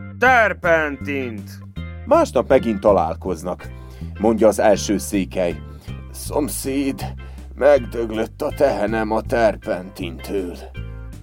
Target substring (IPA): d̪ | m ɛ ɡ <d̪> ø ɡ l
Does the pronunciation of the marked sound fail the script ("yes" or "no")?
no